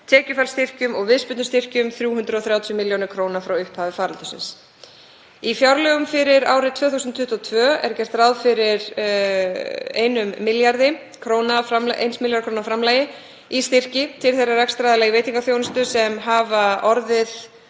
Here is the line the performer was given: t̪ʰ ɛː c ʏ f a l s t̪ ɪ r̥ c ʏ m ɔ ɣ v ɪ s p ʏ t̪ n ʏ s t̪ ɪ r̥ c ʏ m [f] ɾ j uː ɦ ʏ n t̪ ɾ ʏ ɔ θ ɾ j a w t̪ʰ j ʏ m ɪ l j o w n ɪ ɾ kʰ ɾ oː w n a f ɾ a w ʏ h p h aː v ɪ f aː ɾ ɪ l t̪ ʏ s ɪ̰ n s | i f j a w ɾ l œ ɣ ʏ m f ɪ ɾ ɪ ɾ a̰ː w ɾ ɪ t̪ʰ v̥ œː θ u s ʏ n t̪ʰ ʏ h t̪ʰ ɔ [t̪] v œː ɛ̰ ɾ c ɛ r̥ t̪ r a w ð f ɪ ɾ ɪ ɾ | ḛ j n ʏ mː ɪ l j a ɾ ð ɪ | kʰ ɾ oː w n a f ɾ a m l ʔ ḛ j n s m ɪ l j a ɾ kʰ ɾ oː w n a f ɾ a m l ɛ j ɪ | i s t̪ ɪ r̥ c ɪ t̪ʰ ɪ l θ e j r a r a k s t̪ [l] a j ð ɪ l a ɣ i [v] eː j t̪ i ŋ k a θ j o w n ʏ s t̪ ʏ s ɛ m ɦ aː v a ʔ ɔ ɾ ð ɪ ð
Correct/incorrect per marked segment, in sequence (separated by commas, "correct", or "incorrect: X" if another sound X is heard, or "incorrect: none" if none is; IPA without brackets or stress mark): incorrect: θ, incorrect: t̪ʰ, incorrect: ɾ, correct